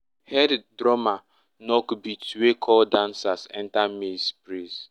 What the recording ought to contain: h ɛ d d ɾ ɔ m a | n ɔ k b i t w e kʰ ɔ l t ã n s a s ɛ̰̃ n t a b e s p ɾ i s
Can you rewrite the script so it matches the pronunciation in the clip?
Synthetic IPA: h ɛ d d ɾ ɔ m a | n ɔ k b i t w e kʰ ɔ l d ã n s a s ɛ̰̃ n t a m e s p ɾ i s